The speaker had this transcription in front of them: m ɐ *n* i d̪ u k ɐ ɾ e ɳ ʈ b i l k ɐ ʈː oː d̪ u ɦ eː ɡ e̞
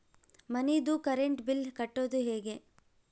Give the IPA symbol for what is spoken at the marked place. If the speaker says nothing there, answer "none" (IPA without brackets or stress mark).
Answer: n